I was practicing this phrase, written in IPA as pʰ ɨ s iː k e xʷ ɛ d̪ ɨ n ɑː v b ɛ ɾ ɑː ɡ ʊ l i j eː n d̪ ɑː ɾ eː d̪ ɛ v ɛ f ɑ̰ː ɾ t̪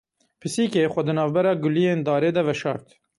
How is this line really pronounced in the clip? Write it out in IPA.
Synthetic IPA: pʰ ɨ s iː k e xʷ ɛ d̪ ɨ n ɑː v b ɛ ɾ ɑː ɡ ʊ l i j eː n d̪ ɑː ɾ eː d̪ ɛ v ɛ ʃ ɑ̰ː ɾ t̪